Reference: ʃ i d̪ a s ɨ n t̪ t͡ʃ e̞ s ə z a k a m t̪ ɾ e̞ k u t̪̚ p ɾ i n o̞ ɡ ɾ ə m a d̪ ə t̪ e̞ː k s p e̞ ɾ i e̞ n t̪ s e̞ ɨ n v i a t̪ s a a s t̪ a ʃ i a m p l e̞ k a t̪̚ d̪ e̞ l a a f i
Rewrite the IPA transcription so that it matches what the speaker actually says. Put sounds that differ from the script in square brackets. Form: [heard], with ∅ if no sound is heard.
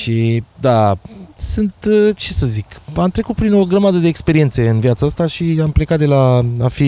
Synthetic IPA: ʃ i d̪ a s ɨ n t̪ t͡ʃ e̞ s ə z [i] k a m t̪ ɾ e̞ k u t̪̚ p ɾ i n o̞ ɡ ɾ ə m a d̪ ə [d̪] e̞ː k s p e̞ ɾ i e̞ n t̪ s e̞ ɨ n v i a t̪ s a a s t̪ a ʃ i a m p l e̞ k a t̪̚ d̪ e̞ l a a f i